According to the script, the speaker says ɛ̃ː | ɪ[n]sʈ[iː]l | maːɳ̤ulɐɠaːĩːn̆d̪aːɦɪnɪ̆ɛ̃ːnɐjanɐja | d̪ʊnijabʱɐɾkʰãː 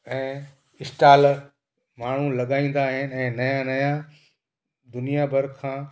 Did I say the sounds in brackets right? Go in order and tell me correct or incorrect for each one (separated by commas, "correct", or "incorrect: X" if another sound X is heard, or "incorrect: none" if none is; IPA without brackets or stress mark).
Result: incorrect: none, incorrect: aː